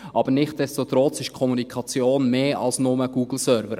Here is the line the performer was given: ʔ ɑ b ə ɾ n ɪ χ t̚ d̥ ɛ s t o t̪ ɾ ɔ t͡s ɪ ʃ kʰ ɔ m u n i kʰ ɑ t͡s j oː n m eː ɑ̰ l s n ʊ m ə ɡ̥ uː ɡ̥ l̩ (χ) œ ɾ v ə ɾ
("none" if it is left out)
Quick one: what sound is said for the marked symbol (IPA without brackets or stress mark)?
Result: s